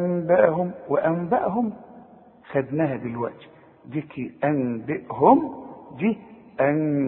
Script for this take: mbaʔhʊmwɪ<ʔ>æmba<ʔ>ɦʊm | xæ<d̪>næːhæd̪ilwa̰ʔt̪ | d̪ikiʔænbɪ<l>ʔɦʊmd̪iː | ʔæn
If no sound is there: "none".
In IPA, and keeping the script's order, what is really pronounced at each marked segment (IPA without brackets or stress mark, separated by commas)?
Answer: ʔ, ʔ, d̪, none